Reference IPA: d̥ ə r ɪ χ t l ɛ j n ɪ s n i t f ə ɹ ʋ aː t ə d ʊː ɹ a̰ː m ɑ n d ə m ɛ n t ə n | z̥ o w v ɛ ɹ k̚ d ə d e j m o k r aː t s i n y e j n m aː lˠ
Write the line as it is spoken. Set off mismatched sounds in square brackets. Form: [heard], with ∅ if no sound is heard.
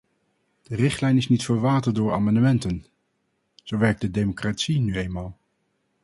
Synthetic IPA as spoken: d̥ ə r ɪ χ t l ɛ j n ɪ s n i t f ə ɹ ʋ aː t ə d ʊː ɹ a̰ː m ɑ n d ə m ɛ n t ə n | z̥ o w [ʋ] ɛ ɹ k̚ d ə d e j m o k r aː t s i n y e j n m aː lˠ